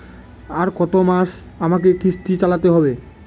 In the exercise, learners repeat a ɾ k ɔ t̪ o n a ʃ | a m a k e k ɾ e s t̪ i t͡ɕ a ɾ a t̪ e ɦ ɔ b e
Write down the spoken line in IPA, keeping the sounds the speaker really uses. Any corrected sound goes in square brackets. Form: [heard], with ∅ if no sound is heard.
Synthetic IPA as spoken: a ɾ k ɔ t̪ o [m] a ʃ | a m a k e k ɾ [i] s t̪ i t͡ɕ a [l] a t̪ e ɦ ɔ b e